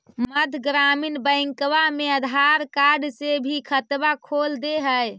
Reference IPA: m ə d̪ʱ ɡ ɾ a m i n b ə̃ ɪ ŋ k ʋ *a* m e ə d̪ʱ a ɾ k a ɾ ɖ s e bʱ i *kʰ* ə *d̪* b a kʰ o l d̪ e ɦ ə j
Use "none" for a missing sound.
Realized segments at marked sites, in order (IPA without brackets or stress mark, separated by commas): a, kʰ, t̪